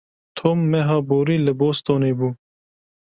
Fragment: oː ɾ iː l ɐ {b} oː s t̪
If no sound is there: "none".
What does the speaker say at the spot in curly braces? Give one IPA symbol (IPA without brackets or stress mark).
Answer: b